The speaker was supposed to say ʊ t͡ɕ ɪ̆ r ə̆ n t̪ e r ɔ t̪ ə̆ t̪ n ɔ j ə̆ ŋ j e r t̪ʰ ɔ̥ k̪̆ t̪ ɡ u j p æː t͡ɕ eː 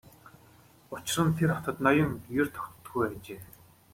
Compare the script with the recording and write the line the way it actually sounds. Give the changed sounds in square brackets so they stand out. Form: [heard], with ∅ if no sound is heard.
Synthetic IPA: ʊ t͡ɕ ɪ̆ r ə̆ n [t̪ʰ] e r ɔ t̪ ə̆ t̪ n ɔ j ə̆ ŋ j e r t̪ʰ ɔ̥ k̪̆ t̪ ɡ u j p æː t͡ɕ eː